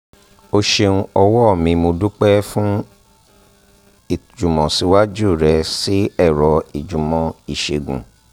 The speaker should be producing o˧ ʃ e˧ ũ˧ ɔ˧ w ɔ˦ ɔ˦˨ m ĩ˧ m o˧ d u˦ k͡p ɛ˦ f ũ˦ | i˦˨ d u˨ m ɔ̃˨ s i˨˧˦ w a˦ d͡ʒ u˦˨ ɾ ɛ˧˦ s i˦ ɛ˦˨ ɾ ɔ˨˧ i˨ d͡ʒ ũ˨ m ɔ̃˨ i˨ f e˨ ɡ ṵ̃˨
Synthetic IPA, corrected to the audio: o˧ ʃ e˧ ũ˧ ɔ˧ w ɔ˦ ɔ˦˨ m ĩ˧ m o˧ d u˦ k͡p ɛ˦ f ũ˦ | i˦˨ d͡ʒ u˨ m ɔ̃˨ s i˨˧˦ w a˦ d͡ʒ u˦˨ ɾ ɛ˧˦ s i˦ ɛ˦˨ ɾ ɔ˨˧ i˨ d͡ʒ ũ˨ m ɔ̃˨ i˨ ʃ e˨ ɡ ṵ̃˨

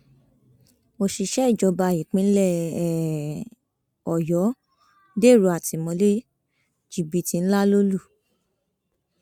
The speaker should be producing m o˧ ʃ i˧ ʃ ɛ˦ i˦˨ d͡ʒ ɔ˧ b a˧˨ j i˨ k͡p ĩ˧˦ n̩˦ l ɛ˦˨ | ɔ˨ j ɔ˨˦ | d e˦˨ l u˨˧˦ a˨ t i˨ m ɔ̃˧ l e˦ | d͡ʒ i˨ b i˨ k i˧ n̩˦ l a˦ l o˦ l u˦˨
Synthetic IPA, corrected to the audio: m o˧ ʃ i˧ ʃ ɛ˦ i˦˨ d͡ʒ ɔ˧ b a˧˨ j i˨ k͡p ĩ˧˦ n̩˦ l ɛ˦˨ | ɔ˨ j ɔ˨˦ | d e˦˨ ɾ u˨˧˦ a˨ t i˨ m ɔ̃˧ l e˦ | d͡ʒ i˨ b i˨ t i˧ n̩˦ l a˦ l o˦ l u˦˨

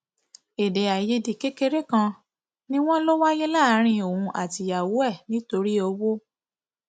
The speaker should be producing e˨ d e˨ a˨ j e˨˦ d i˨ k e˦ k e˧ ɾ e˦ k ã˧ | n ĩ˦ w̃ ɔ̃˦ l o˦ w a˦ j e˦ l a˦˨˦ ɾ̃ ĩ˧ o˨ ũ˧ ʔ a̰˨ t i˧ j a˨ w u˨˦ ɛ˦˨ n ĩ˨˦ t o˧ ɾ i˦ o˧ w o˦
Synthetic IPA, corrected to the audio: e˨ d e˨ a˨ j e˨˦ d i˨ k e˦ k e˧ ɾ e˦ k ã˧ | n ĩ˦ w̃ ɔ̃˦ l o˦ w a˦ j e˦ l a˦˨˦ ɾ̃ ĩ˧ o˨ ũ˧ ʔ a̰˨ t i˧ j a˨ w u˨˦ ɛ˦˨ n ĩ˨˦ t o˧ ɾ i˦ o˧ w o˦

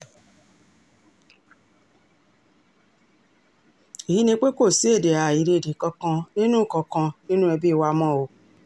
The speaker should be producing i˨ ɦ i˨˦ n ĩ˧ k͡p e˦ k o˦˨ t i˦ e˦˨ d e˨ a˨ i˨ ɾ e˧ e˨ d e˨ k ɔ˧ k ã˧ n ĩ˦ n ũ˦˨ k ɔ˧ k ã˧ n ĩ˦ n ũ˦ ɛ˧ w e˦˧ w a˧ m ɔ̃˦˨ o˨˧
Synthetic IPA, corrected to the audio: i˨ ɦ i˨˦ n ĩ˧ k͡p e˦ k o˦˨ s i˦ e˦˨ d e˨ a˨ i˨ ɾ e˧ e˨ d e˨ k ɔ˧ k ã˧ n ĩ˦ n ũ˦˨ k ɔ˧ k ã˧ n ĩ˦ n ũ˦ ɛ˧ b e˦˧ w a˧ m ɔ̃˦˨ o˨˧

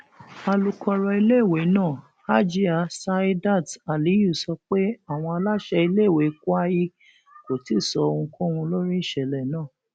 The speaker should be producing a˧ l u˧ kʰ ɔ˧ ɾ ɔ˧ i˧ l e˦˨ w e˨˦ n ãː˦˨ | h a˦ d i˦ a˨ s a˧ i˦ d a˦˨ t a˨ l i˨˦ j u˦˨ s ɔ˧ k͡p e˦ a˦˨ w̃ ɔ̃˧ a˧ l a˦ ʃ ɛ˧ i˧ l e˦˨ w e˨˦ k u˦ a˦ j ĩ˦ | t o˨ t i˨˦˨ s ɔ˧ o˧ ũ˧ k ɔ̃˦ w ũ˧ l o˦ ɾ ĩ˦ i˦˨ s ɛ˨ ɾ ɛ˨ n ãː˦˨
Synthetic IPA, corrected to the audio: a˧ l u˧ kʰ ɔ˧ ɾ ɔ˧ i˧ l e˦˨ w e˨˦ n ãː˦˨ | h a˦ d͡ʒ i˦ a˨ s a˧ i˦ d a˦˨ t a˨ l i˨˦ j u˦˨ s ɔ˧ k͡p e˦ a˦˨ w̃ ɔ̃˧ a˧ l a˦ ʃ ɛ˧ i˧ l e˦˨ w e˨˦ k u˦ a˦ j i˦ | k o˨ t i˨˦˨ s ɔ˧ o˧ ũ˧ k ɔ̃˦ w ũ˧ l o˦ ɾ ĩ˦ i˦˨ ʃ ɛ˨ l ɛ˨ n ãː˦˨

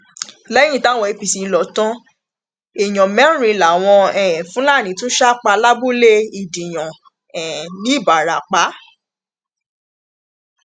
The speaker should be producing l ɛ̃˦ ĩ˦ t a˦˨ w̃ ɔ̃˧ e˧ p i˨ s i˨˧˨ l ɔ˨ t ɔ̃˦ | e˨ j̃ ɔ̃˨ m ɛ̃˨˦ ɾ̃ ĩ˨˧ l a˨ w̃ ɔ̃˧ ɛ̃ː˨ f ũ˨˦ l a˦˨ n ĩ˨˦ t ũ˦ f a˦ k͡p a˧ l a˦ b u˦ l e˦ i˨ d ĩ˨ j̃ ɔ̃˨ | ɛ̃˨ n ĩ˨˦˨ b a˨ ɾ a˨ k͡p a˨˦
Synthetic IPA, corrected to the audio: l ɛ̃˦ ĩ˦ t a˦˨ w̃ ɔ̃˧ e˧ p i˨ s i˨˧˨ l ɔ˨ t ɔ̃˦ | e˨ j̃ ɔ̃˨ m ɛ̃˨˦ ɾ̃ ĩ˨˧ l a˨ w̃ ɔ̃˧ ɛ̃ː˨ f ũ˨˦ l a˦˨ n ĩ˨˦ t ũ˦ ʃ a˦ k͡p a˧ l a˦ b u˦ l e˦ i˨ d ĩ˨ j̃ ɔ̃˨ | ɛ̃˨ n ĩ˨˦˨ b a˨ ɾ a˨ k͡p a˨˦

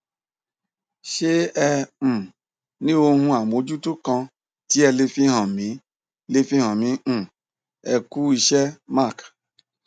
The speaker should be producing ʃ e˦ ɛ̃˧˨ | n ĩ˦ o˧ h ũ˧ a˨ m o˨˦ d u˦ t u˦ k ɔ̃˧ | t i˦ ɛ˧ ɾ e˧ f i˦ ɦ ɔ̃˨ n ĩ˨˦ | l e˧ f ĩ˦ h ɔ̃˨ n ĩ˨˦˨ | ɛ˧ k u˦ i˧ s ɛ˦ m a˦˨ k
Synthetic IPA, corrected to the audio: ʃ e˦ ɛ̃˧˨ | n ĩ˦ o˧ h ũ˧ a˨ m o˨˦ d͡ʒ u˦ t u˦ k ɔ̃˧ | t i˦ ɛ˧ l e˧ f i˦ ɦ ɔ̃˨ m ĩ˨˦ | l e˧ f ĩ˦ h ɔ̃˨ m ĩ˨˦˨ | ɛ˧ k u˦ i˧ ʃ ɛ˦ m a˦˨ k

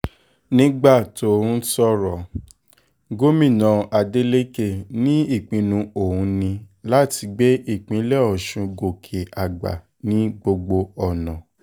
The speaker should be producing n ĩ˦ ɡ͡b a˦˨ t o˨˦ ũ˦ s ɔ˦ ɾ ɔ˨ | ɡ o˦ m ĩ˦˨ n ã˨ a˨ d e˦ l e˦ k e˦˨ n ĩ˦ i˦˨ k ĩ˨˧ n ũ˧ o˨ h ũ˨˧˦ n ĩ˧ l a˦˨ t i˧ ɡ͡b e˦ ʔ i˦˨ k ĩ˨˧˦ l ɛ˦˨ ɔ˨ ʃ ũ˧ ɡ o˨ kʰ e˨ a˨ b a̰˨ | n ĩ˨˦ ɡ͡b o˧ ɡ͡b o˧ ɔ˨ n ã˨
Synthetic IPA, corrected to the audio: n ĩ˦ ɡ͡b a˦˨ t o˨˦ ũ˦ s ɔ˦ ɾ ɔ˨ | ɡ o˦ m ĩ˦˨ n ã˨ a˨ d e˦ l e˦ k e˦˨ n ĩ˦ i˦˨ k͡p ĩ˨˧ n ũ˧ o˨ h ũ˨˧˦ n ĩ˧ l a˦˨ t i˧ ɡ͡b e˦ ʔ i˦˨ k͡p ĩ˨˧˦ l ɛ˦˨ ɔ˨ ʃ ũ˧ ɡ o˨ kʰ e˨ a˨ ɡ͡b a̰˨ | n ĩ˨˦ ɡ͡b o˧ ɡ͡b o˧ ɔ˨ n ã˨

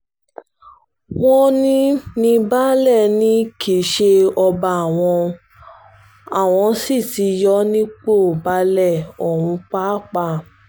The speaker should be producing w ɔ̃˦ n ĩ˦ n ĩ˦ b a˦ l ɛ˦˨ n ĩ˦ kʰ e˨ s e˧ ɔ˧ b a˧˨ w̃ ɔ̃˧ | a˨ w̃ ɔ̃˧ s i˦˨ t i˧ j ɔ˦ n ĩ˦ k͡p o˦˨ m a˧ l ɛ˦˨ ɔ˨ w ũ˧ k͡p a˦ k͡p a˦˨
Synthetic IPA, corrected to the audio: w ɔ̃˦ n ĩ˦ n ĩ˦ b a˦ l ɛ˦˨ n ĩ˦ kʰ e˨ ʃ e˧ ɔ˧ b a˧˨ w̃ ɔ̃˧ | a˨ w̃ ɔ̃˧ s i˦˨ t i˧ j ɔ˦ n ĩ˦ k͡p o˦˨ b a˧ l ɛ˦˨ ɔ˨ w ũ˧ k͡p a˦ k͡p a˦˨

